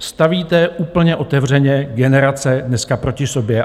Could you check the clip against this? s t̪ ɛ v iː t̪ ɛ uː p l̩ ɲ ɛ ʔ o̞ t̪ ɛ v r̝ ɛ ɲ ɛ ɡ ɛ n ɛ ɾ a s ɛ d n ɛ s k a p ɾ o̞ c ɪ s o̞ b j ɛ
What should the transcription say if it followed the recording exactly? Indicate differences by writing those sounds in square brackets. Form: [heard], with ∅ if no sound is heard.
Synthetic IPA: s t̪ [a] v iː t̪ ɛ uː p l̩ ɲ ɛ ʔ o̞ t̪ ɛ v r̝ ɛ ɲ ɛ ɡ ɛ n ɛ ɾ a [t͡s] ɛ d n ɛ s k a p ɾ o̞ c ɪ s o̞ b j ɛ